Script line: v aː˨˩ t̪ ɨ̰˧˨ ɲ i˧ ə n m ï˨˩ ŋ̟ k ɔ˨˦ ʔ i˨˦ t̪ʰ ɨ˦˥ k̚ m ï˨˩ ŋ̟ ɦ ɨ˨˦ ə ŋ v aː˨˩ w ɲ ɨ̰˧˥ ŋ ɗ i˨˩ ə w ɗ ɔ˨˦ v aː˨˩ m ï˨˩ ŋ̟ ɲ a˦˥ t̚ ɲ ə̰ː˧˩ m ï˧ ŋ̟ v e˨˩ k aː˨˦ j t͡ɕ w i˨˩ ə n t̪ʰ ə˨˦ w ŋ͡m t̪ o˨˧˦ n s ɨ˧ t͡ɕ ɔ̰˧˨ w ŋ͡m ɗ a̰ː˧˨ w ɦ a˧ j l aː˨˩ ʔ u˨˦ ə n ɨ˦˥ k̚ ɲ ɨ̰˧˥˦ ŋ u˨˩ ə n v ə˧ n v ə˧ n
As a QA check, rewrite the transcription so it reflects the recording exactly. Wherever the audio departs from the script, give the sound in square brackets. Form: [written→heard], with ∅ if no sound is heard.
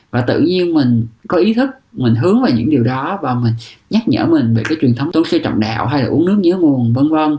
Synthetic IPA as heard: v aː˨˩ t̪ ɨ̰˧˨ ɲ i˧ ə n m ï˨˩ ŋ̟ k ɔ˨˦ ʔ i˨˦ t̪ʰ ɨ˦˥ k̚ m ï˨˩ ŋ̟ ɦ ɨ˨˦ ə ŋ v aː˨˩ w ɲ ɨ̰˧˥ ŋ ɗ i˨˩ ə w ɗ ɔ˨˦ v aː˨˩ m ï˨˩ ŋ̟ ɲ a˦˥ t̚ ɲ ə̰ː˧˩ m [ï˧→ï˨˩] ŋ̟ v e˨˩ k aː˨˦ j t͡ɕ w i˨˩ ə n t̪ʰ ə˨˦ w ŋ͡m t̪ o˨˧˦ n s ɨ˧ t͡ɕ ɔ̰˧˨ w ŋ͡m ɗ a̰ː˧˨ w ɦ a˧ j l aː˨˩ ʔ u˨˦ ə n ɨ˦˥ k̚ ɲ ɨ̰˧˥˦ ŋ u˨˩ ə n v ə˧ n v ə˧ n